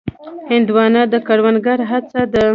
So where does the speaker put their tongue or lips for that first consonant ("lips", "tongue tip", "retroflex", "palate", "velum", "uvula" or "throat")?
throat